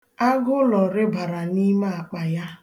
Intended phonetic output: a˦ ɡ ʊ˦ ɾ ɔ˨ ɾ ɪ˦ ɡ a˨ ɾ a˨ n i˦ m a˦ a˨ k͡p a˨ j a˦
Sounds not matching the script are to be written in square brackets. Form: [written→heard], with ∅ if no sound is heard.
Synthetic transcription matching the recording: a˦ ɡ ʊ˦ [ɾ→l] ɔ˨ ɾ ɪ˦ [ɡ→b] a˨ ɾ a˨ n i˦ m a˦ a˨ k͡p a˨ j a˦